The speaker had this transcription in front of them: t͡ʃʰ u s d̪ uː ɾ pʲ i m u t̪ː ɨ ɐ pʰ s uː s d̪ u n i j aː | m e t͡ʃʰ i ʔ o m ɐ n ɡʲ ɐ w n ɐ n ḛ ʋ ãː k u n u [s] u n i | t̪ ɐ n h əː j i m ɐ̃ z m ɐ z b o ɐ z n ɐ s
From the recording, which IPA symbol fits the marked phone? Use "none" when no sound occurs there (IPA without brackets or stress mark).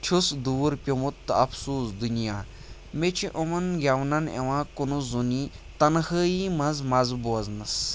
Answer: z